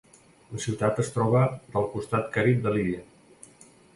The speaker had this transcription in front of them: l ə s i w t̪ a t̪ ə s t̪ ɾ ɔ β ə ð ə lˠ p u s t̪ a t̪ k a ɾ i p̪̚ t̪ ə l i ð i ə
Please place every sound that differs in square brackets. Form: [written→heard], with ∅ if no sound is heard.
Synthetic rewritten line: l ə s i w t̪ a t̪ ə s t̪ ɾ ɔ β ə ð ə lˠ [p→k] u s t̪ a t̪ k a ɾ i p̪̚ [t̪→d̪] ə l i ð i ə